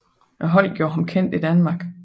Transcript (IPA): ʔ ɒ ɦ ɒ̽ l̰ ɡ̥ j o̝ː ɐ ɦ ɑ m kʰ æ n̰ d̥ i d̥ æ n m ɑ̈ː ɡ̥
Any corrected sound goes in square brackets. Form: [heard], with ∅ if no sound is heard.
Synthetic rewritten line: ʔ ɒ ɦ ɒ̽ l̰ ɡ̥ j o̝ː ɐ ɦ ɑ m kʰ [e] n̰ d̥ i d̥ æ n m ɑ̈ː ɡ̥